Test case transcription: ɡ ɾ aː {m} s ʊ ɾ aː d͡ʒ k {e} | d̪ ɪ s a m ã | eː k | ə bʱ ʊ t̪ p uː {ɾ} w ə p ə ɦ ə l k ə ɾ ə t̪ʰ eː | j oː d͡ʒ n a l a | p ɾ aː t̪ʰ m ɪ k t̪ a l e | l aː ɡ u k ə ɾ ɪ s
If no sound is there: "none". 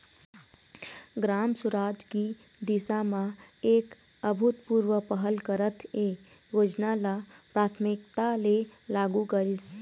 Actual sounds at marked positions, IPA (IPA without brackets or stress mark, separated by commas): m, i, ɾ